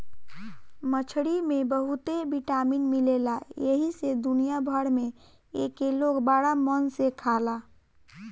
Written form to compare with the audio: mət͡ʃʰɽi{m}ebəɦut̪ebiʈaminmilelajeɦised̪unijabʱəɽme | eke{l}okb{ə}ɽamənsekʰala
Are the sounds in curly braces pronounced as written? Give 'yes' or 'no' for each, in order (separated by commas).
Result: yes, yes, no